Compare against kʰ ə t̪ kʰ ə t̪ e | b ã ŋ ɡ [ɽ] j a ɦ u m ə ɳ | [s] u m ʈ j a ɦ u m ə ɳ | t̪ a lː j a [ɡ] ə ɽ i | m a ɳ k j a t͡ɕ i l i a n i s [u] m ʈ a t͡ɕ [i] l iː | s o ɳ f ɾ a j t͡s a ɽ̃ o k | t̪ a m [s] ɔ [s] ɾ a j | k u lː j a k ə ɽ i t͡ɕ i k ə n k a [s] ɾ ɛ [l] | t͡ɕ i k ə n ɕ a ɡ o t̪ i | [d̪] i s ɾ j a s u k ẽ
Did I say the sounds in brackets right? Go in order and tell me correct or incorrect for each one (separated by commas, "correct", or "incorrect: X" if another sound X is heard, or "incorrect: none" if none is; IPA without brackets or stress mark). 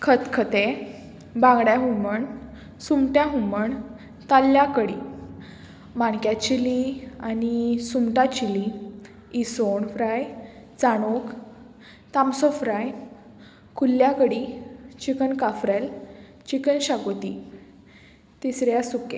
correct, correct, incorrect: k, correct, correct, correct, incorrect: f, incorrect: f, correct, incorrect: t̪